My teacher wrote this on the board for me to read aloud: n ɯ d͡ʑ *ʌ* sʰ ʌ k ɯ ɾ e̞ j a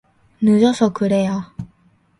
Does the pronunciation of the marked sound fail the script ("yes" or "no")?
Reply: no